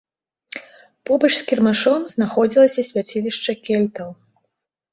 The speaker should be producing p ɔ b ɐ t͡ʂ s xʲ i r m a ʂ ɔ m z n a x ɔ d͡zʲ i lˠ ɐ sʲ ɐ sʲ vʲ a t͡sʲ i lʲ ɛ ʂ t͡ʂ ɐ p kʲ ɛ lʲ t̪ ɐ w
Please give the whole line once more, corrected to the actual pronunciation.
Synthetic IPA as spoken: p ɔ b ɐ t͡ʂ s kʲ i r m a ʂ ɔ m z n a x ɔ d͡zʲ i lˠ ɐ sʲ ɐ sʲ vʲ a t͡sʲ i lʲ i ʂ t͡ʂ ɐ kʲ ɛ lʲ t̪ ɐ w